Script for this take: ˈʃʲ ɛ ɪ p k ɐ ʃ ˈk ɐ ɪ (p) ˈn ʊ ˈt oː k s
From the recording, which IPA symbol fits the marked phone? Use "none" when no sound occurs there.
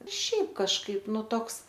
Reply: p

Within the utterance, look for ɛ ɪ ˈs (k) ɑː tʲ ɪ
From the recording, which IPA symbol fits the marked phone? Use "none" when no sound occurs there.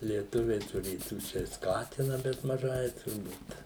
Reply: k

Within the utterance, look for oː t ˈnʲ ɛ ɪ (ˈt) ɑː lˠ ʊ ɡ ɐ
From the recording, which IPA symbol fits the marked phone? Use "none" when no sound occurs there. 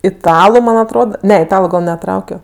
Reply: t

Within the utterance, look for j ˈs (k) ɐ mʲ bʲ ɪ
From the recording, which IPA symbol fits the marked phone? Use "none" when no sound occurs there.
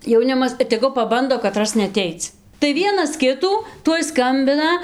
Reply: k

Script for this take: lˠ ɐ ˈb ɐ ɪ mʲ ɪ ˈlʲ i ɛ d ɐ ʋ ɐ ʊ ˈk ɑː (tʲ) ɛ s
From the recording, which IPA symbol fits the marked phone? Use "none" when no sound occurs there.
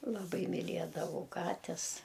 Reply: tʲ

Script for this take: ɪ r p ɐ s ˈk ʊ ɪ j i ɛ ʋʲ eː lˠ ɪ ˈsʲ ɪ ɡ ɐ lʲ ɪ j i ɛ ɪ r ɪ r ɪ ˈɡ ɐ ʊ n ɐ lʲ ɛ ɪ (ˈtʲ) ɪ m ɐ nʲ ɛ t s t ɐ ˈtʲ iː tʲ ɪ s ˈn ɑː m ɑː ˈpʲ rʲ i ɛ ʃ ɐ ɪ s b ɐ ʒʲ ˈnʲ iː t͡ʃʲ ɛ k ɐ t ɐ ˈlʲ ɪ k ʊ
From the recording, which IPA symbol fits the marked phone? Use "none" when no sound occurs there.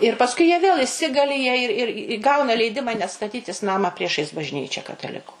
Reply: dʲ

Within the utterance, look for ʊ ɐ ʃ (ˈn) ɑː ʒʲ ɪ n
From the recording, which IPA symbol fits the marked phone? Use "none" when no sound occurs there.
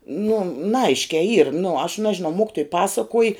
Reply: n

